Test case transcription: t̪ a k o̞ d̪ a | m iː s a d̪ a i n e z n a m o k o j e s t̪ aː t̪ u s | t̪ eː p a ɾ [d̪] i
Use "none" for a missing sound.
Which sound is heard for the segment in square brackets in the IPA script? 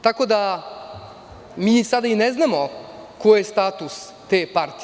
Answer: t̪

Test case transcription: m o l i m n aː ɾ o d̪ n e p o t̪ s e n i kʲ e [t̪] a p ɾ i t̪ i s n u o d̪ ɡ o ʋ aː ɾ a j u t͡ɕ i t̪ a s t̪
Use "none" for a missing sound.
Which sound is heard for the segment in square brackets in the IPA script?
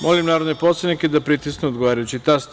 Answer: d̪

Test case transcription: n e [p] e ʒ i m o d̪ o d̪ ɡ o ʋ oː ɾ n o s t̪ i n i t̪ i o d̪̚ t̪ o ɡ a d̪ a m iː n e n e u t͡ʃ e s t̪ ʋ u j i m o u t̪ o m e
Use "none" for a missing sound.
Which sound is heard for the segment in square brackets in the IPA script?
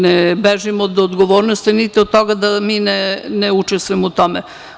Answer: b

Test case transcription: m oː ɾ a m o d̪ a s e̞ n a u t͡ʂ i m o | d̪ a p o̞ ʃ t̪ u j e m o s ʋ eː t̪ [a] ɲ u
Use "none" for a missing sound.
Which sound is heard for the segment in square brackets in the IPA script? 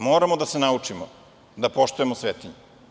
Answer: i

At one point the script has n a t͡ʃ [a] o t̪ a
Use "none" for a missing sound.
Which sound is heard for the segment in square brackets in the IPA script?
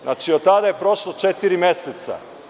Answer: i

